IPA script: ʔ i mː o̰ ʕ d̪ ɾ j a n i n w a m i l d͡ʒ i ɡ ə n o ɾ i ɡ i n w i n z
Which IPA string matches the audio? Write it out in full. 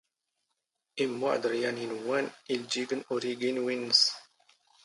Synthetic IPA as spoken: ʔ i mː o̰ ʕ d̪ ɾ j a n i n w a n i l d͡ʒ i ɡ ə n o ɾ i ɡ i n w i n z